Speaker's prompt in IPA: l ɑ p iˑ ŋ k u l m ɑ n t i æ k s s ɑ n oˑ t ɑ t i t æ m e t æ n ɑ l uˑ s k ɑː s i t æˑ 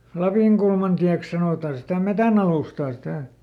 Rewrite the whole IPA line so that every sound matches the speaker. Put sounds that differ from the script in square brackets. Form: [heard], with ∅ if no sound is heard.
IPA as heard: l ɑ p iˑ ŋ k u l m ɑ n t i æ k s s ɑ n oˑ t ɑ [s] i t æ m e t æ n ɑ l uˑ s [t] ɑː s i t æˑ